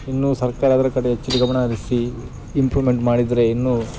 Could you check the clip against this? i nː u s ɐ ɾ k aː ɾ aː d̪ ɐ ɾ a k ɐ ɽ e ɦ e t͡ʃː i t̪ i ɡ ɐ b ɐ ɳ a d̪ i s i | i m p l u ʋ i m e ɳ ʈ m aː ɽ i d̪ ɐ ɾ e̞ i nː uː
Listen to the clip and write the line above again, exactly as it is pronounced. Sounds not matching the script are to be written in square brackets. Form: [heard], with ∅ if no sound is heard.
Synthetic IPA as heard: i nː u s ɐ ɾ k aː ɾ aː d̪ ɐ ɾ [ɐ] k ɐ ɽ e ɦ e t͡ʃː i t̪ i ɡ ɐ [m] ɐ ɳ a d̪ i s i | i m p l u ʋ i m e ɳ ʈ m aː ɽ i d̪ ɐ ɾ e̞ i nː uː